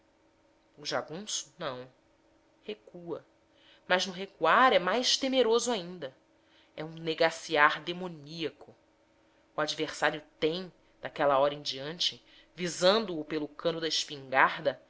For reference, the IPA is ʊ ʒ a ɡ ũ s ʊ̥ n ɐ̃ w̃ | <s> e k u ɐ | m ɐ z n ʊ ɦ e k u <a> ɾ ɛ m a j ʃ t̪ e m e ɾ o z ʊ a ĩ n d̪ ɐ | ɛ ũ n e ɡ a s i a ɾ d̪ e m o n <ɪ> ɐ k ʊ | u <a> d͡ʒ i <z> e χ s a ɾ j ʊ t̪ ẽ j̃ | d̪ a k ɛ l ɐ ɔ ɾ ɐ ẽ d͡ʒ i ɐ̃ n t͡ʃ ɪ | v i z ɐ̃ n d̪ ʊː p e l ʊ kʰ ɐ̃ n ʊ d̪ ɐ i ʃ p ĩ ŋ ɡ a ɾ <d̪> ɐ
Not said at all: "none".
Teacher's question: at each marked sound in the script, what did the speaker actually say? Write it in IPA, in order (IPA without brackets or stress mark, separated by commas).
h, a, i, a, v, d̪